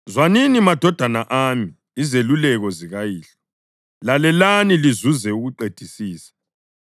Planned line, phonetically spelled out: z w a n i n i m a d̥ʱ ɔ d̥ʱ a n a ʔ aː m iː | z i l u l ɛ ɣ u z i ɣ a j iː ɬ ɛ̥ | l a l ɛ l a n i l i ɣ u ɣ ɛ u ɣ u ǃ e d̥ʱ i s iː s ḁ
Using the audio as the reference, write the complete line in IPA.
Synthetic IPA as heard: z w a n i n i m a d̥ʱ ɔ d̥ʱ a n a ʔ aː m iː | z e l u l ɛ ɣ ɔ z i ɣ a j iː ɬ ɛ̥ | l a l ɛ l a n i l i z u z ɛ u ɣ u ǃ e d̥ʱ i s iː s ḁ